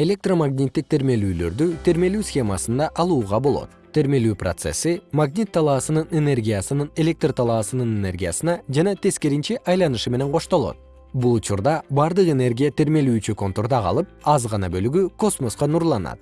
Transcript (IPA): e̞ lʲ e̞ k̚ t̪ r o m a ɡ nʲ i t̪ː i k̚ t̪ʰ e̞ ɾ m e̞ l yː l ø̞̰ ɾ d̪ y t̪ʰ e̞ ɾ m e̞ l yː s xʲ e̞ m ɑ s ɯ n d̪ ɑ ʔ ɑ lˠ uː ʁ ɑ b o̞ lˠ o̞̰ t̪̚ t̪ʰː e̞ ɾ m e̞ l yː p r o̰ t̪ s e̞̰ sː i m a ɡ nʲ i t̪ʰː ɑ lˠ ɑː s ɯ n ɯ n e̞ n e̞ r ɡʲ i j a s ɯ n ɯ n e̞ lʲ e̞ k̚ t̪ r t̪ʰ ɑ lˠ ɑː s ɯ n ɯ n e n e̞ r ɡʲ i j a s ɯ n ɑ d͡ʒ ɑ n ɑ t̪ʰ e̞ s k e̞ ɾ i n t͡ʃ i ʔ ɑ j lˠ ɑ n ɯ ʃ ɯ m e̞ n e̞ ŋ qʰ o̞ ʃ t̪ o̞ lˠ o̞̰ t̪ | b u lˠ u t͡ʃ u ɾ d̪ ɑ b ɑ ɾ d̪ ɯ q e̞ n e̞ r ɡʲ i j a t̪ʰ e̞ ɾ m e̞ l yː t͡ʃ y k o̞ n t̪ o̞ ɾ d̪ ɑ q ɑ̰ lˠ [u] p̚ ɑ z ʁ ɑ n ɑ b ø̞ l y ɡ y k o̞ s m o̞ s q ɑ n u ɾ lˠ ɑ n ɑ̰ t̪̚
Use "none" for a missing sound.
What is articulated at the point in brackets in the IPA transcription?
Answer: ɯ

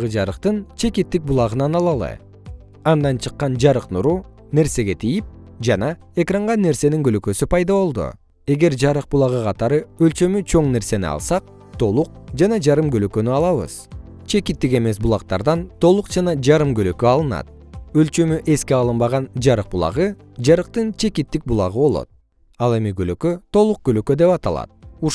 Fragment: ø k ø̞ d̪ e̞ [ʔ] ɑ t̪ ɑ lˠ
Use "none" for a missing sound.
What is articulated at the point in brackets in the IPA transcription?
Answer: p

